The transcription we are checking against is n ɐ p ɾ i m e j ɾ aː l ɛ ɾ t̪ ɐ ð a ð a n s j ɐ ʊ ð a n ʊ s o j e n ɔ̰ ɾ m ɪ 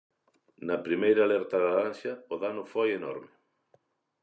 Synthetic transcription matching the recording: n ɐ p ɾ i m e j ɾ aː l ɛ ɾ t̪ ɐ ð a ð a n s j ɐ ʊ ð a n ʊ f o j e n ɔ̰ ɾ m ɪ